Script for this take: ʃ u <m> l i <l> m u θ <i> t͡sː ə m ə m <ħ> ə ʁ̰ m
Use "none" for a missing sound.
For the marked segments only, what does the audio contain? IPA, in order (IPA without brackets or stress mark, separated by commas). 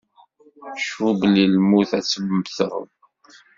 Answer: b, l, æ, θ